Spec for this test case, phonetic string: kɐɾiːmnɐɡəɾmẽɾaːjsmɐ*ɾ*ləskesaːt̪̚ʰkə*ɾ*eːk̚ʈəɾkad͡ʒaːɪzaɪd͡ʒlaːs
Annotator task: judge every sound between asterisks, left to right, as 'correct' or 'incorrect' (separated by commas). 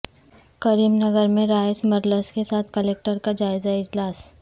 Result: correct, incorrect